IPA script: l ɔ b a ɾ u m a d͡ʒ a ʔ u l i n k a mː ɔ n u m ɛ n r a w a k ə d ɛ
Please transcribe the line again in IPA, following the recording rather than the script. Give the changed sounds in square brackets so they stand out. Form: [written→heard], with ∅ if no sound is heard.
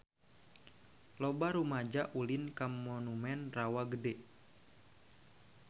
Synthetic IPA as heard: l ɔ b a ɾ u m a d͡ʒ a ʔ u l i n k a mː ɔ n u m ɛ n r a w a [k→ɡ] ə d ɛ